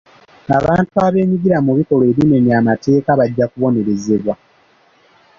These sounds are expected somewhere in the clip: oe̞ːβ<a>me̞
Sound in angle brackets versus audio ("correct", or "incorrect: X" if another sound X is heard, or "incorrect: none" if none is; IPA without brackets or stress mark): incorrect: i